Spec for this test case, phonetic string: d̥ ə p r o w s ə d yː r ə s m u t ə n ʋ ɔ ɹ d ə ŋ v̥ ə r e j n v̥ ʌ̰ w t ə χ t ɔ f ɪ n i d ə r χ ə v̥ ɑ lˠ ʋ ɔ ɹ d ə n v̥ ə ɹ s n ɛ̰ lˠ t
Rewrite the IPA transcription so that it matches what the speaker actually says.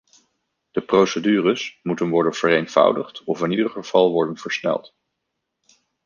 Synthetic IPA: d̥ ə p r o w s ə d yː r ə s m u t ə n ʋ ɔ ɹ d ə n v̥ ə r e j n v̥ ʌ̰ w d ə χ t ɔ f ɪ n i d ə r χ ə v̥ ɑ lˠ ʋ ɔ ɹ d ə n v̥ ə ɹ s n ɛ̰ lˠ t